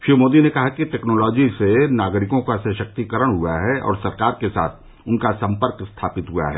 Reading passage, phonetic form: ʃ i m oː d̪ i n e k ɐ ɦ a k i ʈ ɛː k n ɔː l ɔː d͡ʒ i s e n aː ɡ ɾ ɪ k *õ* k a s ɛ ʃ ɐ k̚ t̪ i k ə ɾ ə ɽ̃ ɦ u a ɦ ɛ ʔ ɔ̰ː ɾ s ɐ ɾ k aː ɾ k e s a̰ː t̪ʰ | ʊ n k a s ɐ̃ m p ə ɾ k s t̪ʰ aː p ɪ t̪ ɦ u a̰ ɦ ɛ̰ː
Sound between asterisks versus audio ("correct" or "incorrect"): correct